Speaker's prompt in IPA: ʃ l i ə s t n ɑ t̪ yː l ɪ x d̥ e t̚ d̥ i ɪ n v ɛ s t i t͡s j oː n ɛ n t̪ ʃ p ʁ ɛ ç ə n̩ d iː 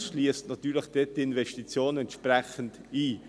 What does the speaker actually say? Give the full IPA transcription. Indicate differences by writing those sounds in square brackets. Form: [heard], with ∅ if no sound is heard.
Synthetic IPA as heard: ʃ l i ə s t n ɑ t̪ yː l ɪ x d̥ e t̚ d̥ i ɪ n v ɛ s t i t͡s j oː n ɛ n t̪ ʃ p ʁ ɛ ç ə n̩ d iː